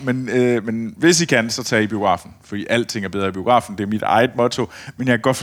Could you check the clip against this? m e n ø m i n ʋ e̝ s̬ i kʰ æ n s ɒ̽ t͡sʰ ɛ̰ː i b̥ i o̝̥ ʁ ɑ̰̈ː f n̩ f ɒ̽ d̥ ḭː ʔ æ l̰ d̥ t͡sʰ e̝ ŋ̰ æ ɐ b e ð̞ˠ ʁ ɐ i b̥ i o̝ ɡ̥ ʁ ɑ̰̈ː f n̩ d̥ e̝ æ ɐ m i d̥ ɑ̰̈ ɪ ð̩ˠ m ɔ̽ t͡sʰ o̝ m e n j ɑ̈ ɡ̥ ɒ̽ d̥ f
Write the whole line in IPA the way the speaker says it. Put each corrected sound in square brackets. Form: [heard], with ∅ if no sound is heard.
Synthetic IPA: m e n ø m [e] n ʋ e̝ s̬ i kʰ æ n s ɒ̽ t͡sʰ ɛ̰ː i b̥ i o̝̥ ʁ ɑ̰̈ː f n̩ f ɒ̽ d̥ ḭː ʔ æ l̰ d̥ t͡sʰ e̝ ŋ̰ æ ɐ b e ð̞ˠ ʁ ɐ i b̥ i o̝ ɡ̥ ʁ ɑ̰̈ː f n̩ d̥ e̝ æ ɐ m i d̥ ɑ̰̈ ɪ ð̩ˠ m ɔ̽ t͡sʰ o̝ m e n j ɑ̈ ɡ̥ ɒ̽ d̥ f